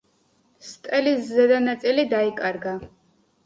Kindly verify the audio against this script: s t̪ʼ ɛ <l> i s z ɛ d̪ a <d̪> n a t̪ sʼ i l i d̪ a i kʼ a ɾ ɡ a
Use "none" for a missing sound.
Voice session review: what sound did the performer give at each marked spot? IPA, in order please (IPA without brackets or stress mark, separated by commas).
l, none